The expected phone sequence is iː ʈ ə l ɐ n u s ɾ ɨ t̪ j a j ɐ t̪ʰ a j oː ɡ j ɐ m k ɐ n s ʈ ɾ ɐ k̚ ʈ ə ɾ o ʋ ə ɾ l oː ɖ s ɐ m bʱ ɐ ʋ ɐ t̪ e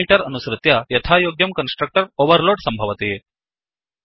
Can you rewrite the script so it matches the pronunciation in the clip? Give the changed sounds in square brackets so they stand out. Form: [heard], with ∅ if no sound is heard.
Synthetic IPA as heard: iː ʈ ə [ɾ] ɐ n u s ɾ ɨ t̪ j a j ɐ t̪ʰ a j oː ɡ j ɐ m k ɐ n s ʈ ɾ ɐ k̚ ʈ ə ɾ o ʋ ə ɾ l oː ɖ s ɐ m bʱ ɐ ʋ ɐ t̪ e

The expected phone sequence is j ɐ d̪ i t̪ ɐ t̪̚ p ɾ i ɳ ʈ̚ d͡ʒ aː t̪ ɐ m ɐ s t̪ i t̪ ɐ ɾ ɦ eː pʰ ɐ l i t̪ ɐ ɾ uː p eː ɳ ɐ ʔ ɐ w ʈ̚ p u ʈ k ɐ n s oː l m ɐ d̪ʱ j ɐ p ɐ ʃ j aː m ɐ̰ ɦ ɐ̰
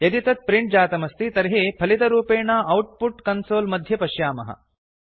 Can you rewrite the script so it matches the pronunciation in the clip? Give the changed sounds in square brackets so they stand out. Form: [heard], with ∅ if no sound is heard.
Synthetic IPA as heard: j ɐ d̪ i t̪ ɐ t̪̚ p ɾ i ɳ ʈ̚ d͡ʒ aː t̪ ɐ m ɐ s t̪ i t̪ ɐ ɾ ɦ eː pʰ ɐ l i t̪ ɐ ɾ uː p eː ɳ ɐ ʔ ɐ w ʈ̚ p u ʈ k ɐ n s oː l m ɐ d̪ʱ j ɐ p ɐ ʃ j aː m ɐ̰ ɦ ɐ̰

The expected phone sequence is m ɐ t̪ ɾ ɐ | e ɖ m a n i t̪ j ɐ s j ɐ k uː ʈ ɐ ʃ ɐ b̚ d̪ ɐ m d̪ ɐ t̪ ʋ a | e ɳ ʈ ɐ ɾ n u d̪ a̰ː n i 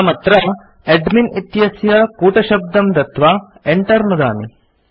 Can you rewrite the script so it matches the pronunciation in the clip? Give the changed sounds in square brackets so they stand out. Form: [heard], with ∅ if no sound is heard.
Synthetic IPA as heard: m ɐ t̪ ɾ ɐ | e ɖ m [i] n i t̪ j ɐ s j ɐ k uː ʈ ɐ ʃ ɐ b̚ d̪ ɐ m d̪ ɐ t̪ ʋ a | e ɳ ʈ ɐ ɾ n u d̪ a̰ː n i

